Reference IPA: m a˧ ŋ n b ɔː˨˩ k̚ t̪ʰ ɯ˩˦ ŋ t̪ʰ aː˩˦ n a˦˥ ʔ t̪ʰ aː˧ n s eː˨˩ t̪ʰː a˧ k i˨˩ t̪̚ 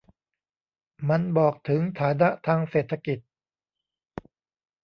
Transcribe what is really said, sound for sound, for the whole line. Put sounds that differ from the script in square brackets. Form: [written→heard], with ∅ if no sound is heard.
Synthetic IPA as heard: m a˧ [ŋ→∅] n b ɔː˨˩ k̚ t̪ʰ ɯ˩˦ ŋ t̪ʰ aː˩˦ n a˦˥ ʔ t̪ʰ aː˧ [n→ŋ] s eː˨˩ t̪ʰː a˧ k i˨˩ t̪̚